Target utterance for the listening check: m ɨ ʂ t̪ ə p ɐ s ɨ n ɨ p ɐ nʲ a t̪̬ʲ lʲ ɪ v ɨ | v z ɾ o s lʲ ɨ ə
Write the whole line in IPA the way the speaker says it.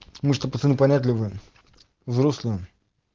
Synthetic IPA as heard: m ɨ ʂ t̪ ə p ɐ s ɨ n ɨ p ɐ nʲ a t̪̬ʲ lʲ ɪ v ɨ | v z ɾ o s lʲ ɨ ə